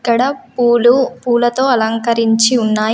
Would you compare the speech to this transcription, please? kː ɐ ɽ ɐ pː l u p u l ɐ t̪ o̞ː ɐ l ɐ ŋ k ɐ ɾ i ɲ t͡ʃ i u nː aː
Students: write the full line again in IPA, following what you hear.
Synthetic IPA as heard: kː ɐ ɽ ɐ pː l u p uː l ɐ t̪ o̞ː ɐ l ɐ ŋ k ɐ ɾ i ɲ t͡ʃ i u nː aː